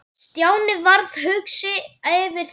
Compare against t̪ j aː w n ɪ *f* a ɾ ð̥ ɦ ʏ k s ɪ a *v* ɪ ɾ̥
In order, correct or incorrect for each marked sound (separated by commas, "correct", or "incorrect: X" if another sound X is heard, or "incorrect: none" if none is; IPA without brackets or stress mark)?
incorrect: v, correct